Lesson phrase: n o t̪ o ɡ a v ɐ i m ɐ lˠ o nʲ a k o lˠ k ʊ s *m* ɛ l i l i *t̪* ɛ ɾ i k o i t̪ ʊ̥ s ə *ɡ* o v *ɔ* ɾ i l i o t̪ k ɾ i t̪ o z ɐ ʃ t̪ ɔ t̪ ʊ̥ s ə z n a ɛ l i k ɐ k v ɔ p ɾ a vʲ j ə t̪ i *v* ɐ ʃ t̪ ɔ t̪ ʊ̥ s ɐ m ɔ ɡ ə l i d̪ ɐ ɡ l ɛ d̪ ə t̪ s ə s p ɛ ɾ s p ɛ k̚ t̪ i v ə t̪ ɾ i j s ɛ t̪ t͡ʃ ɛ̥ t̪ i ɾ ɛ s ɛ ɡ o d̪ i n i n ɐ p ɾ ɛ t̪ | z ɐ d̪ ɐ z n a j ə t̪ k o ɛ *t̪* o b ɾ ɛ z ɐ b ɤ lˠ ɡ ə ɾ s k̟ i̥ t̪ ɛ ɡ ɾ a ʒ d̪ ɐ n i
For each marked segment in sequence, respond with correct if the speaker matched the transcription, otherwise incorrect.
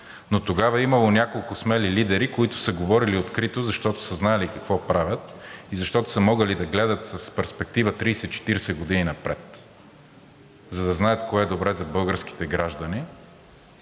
correct, incorrect: d̪, correct, correct, incorrect: z, incorrect: d̪

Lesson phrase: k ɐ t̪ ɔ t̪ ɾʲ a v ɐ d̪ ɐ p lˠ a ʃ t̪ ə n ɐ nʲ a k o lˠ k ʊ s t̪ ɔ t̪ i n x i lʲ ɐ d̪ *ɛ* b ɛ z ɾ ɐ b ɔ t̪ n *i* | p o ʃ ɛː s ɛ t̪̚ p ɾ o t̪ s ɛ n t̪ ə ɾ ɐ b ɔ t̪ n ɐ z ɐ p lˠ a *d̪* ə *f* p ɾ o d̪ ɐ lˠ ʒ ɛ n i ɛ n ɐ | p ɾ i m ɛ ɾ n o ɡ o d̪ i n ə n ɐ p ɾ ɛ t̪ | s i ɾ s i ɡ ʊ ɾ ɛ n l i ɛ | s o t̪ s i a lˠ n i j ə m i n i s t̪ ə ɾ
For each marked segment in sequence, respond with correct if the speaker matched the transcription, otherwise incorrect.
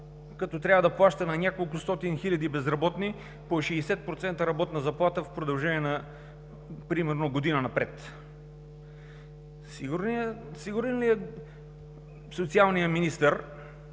incorrect: i, correct, incorrect: t̪, correct

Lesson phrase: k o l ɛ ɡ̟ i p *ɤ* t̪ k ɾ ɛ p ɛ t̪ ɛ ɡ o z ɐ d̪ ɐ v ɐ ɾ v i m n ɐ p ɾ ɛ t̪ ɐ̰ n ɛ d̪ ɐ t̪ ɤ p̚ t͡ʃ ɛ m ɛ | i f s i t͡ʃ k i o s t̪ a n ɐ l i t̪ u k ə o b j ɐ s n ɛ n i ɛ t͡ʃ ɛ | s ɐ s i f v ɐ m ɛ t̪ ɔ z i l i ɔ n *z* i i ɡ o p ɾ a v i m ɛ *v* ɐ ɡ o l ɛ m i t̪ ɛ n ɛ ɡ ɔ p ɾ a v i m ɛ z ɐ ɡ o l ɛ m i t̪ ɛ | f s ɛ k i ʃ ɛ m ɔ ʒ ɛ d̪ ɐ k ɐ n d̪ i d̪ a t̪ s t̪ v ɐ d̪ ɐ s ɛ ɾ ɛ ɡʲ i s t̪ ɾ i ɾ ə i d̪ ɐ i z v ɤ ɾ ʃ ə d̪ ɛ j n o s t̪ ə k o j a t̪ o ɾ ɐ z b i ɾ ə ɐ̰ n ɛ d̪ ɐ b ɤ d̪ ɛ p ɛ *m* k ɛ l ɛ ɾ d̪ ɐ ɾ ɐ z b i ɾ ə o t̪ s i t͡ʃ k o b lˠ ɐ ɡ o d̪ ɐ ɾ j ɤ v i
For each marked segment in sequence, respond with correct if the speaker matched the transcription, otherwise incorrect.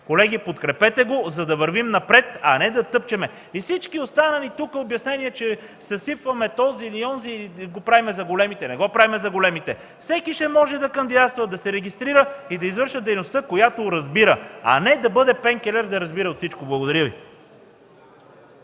incorrect: o, correct, incorrect: z, incorrect: ŋ

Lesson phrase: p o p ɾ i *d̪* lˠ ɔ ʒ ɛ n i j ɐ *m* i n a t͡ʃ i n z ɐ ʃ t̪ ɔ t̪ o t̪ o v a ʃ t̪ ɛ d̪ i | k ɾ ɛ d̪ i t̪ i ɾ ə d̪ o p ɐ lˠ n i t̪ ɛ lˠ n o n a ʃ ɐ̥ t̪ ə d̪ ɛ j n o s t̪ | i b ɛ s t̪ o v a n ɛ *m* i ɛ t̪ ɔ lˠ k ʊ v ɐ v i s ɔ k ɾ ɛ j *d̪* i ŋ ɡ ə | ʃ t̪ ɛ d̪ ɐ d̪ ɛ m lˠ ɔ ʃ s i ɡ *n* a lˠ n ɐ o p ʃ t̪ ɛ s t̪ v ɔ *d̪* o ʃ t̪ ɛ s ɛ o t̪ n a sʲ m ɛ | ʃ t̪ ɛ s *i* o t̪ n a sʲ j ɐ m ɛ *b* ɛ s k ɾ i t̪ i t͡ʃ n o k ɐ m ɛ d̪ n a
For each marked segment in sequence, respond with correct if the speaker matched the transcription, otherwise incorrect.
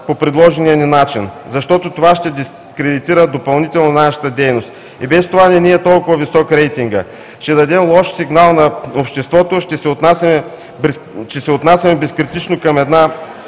correct, incorrect: n, incorrect: n, incorrect: t̪, correct, incorrect: t̪, incorrect: ɛ, correct

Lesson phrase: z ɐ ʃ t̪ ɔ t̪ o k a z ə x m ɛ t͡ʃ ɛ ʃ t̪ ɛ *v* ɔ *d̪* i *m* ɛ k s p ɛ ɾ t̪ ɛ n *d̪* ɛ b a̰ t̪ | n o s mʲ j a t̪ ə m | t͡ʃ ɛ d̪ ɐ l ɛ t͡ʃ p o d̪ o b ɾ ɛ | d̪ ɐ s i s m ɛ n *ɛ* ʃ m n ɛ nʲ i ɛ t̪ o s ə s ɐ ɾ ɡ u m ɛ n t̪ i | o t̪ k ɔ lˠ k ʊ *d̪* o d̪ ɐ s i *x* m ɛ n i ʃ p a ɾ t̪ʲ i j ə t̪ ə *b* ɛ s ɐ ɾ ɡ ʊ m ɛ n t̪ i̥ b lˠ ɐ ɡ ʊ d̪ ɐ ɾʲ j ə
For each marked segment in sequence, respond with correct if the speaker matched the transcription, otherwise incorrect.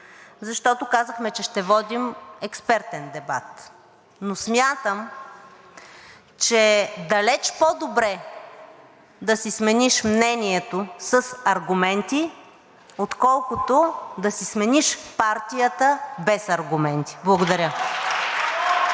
correct, correct, correct, correct, incorrect: i, incorrect: t̪, incorrect: s, correct

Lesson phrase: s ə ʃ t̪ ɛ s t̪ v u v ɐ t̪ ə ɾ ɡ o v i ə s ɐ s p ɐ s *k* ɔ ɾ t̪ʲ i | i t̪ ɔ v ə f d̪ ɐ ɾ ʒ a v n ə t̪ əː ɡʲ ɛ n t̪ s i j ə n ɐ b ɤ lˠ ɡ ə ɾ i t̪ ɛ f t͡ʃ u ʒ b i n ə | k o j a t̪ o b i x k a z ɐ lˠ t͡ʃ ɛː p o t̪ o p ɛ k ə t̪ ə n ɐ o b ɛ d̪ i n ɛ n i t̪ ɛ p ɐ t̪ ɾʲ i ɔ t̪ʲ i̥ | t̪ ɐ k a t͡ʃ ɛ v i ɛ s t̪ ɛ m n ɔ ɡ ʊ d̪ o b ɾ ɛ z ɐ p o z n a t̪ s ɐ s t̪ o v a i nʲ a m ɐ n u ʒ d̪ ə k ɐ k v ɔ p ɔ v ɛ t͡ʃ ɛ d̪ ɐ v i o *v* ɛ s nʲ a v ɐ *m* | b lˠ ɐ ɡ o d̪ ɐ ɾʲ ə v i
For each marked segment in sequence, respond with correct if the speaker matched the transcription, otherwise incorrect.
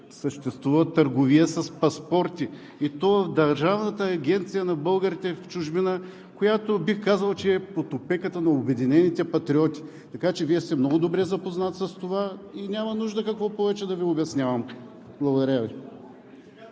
incorrect: p, incorrect: b, correct

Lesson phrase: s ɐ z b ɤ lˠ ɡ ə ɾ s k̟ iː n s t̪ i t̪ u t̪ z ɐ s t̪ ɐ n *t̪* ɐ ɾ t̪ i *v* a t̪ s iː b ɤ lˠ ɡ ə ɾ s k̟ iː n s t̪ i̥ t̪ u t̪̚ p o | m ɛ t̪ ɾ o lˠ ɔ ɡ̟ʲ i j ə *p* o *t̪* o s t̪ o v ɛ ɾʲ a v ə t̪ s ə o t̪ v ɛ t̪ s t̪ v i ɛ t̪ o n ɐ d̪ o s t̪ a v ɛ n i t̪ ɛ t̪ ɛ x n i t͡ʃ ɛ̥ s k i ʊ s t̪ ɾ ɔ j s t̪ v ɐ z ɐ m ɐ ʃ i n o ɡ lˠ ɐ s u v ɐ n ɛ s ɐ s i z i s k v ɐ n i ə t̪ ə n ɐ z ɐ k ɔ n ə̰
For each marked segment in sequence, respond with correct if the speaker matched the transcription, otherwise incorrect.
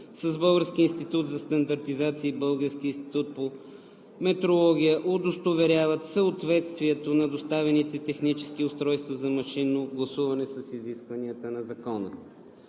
incorrect: d̪, incorrect: z, incorrect: ʔ, incorrect: d̪

